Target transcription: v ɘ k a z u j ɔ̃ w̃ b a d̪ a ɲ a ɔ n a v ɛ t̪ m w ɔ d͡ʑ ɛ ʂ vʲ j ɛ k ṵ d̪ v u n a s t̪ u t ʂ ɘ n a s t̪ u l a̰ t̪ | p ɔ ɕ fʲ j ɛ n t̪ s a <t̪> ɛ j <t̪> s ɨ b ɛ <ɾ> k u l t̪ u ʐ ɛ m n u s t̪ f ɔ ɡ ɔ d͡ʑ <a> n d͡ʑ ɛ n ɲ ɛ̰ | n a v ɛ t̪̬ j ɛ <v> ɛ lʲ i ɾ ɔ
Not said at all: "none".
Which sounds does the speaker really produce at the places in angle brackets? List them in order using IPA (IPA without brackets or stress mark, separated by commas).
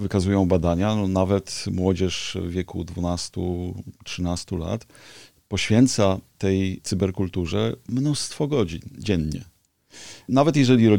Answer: t̪, t̪, ɾ, i, ʐ